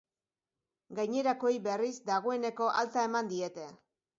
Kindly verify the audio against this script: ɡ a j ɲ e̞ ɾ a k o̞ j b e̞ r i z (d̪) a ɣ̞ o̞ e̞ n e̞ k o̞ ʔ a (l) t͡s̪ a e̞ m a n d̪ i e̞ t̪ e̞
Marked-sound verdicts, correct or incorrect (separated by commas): correct, correct